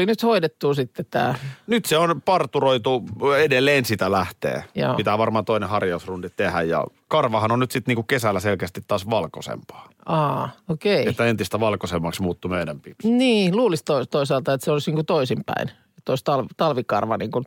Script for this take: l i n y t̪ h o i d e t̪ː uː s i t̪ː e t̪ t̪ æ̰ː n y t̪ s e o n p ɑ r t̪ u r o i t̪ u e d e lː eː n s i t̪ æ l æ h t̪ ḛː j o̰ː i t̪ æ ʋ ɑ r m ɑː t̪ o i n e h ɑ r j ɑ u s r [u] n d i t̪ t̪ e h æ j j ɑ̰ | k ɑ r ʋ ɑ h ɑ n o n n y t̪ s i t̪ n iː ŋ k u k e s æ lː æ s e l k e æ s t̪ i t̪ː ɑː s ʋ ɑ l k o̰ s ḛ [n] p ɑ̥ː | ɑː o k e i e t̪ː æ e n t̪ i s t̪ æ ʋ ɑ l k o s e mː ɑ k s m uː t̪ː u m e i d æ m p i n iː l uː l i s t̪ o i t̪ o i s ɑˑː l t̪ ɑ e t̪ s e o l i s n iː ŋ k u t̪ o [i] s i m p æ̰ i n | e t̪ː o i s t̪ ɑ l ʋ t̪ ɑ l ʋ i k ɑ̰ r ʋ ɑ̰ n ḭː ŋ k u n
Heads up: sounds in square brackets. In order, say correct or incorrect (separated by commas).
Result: correct, incorrect, correct